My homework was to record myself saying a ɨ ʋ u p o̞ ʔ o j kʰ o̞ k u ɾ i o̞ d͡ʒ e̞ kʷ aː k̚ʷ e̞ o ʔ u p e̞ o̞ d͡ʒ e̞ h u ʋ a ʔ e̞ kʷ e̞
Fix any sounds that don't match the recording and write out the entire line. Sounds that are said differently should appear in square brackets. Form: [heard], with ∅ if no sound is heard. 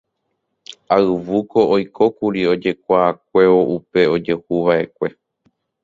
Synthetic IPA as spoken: a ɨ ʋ u [k] o̞ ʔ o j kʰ o̞ k u ɾ i o̞ d͡ʒ e̞ kʷ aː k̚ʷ e̞ o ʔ u p e̞ o̞ d͡ʒ e̞ h u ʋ a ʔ e̞ kʷ e̞

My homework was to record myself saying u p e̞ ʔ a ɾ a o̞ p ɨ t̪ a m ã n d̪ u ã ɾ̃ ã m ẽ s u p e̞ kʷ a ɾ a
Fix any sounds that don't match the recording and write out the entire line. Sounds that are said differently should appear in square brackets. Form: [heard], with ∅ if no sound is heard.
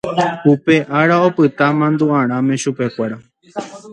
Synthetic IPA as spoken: u p e̞ ʔ a ɾ a o̞ p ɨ t̪ a m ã n d̪ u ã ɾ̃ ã m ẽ [ʃ] u p e̞ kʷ a ɾ a

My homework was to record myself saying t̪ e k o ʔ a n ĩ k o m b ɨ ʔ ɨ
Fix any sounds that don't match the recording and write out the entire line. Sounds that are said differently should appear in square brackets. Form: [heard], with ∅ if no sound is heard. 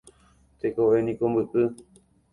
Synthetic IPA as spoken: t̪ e k o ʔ [e] n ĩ k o m b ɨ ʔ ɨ

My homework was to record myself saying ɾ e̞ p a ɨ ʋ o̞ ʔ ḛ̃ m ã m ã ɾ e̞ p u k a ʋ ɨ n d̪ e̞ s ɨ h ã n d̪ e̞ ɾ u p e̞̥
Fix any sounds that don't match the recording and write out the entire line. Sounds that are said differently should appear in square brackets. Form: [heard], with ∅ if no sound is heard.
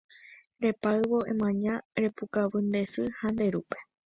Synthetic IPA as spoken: ɾ e̞ p a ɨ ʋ o̞ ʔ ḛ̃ m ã [ɲ] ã ɾ e̞ p u k a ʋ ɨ n d̪ e̞ s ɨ h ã n d̪ e̞ ɾ u p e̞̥

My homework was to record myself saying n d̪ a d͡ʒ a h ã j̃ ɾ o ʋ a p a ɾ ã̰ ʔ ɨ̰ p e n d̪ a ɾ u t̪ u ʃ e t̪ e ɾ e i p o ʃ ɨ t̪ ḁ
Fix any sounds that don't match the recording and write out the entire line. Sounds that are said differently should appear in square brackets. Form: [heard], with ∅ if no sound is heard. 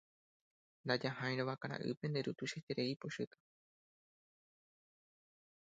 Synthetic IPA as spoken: n d̪ a d͡ʒ a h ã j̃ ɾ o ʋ a [k] a ɾ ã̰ ʔ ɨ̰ p e n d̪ [e] ɾ u t̪ u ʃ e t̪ e ɾ e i p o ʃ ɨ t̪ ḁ

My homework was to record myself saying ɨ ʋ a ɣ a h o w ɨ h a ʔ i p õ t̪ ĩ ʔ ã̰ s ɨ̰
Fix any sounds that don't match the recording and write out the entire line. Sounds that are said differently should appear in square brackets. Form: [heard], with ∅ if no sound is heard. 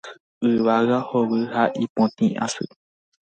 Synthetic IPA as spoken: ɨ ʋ a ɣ a h o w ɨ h a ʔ i p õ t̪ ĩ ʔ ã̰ s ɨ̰

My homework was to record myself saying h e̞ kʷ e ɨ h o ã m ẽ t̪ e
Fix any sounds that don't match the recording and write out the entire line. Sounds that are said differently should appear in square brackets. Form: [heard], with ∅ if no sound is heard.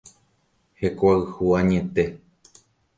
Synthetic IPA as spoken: h e̞ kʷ [a] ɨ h [u] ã [ɲ] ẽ t̪ e

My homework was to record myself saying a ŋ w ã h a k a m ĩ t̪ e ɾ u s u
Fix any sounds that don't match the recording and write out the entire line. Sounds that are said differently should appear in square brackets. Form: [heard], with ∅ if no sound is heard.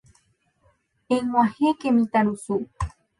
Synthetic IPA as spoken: [e] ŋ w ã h [e] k [e] m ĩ t̪ [a] ɾ u s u

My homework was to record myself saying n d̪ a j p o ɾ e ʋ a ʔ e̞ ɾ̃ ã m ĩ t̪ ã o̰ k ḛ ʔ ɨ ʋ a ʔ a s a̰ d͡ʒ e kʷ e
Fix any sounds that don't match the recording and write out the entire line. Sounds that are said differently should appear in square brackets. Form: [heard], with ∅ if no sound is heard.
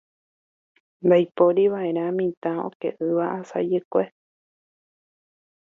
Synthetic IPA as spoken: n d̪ a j p o ɾ [i] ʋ a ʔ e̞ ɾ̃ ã m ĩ t̪ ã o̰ k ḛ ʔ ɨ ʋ a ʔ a s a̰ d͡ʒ e kʷ e

